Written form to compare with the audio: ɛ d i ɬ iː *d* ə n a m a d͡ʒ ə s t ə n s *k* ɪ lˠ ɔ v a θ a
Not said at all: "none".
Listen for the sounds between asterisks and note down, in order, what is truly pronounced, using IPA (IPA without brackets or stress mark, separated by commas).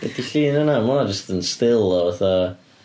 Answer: n, t